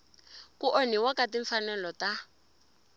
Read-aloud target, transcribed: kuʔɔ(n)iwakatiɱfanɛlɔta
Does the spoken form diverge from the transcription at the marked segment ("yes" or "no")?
no